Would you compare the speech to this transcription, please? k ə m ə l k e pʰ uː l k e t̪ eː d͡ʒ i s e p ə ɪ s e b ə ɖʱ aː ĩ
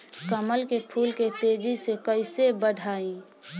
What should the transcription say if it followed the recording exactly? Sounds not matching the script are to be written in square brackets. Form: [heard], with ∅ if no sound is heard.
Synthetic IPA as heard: k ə m ə l k e pʰ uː l k e t̪ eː d͡ʒ i s e [k] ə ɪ s e b ə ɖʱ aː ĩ